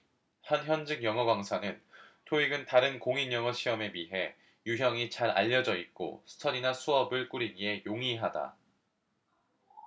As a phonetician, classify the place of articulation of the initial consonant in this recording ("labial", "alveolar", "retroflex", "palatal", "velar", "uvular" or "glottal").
glottal